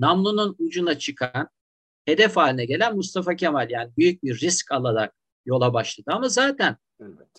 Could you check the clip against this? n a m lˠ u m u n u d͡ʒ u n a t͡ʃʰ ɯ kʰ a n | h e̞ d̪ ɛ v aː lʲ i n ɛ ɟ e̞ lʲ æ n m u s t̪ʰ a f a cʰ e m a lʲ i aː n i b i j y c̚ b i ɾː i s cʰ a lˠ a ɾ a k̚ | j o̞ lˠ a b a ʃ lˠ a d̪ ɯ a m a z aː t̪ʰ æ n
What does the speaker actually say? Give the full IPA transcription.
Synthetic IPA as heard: n a m lˠ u n u n u d͡ʒ u n a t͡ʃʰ ɯ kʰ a n | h e̞ d̪ ɛ f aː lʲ i n ɛ ɟ e̞ lʲ æ n m u s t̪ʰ a f a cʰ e m a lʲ j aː n i b y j y c̚ b i ɾː i s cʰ a lˠ a ɾ a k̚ | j o̞ lˠ a b a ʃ lˠ a d̪ ɯ a m a z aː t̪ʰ æ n